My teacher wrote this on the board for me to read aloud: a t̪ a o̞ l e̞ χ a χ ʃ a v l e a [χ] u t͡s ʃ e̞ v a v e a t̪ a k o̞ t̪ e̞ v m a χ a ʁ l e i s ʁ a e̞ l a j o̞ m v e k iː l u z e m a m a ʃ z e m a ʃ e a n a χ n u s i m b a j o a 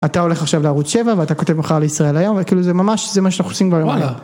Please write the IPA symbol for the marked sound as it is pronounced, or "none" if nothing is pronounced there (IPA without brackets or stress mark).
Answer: ʁ